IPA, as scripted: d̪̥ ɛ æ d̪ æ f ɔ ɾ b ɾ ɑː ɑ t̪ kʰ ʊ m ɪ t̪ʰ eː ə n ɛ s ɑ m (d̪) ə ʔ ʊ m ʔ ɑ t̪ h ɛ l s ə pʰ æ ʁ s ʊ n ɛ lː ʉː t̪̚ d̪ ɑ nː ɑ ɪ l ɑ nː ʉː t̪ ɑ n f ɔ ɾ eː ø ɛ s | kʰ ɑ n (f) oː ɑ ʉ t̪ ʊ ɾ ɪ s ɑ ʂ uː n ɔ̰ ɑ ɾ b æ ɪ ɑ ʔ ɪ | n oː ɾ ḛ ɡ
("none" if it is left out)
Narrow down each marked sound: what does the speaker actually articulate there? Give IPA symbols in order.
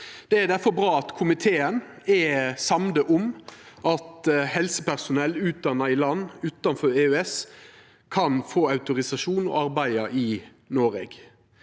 d̪, f

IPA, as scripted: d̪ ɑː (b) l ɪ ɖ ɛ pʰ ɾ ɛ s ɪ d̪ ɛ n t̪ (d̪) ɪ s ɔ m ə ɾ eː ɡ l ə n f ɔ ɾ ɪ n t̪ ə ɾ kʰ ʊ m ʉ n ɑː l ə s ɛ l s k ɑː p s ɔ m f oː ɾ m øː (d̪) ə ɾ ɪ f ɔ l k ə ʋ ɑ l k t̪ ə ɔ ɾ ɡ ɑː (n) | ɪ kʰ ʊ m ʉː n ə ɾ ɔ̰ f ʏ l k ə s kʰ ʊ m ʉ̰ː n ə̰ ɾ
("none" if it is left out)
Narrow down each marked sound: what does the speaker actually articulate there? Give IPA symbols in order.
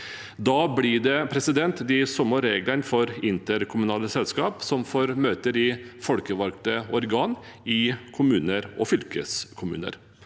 b, d̪, t̪, n

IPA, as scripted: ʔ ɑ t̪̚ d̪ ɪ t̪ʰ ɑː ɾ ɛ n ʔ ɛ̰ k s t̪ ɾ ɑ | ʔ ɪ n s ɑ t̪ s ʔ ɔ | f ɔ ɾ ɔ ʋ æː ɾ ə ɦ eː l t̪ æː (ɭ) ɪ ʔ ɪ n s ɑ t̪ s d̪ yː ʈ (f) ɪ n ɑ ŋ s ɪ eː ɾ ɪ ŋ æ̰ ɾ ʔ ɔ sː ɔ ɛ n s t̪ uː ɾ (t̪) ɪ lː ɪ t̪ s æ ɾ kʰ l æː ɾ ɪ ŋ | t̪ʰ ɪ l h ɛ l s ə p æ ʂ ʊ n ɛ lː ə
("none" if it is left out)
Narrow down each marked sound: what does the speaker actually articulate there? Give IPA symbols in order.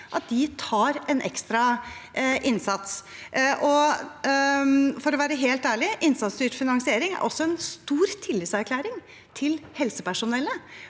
ɭ, f, t̪ʰ

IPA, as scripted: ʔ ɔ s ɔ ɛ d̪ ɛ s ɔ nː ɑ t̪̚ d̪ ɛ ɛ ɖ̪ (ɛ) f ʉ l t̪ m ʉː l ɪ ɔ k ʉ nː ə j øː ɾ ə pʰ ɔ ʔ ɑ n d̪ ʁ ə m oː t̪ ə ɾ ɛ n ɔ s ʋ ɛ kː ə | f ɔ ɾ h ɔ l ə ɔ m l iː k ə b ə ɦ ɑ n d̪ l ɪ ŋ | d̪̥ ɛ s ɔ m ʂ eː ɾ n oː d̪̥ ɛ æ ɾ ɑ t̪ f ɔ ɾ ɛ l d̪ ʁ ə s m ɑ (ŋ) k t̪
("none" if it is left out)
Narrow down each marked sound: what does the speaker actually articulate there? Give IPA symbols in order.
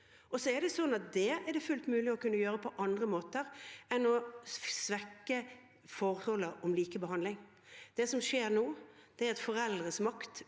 ɛ, none

